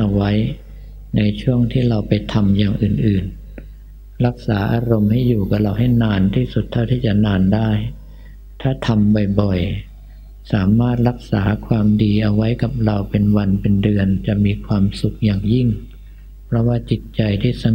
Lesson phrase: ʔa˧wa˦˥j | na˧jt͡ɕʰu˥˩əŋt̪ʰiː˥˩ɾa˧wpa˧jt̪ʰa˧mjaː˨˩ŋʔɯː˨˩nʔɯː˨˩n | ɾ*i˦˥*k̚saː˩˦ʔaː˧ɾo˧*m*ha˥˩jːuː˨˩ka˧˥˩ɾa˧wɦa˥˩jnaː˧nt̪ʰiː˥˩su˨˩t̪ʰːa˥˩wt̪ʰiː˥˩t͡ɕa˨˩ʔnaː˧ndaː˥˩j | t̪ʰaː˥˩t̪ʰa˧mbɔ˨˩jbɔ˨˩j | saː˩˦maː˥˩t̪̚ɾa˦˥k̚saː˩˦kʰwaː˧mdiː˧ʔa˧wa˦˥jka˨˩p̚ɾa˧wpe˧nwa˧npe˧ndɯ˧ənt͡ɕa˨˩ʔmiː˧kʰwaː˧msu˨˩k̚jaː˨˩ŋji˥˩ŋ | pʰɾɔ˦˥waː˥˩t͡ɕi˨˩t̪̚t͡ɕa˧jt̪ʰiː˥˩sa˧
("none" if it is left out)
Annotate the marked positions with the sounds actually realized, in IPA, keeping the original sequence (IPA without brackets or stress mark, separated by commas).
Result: a˦˥, m